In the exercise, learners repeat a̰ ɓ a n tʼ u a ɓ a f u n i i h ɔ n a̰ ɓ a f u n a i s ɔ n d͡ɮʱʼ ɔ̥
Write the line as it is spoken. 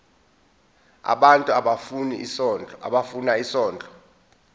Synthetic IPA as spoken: a̰ ɓ a n tʼ u a ɓ a f u n i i s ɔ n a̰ ɓ a f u n a i s ɔː n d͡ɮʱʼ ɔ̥